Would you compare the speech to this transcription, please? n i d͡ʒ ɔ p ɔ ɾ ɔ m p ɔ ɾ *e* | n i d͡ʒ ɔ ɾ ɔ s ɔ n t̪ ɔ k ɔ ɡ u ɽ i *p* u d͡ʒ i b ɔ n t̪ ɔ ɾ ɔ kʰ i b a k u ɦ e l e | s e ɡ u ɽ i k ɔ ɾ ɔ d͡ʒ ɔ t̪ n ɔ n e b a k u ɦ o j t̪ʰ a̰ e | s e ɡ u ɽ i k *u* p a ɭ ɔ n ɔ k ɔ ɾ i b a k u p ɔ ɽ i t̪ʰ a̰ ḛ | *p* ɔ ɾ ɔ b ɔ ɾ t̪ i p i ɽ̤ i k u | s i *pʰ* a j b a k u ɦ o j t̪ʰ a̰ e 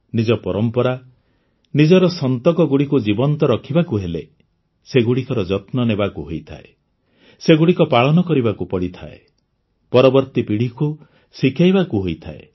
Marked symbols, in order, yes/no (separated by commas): no, no, no, yes, no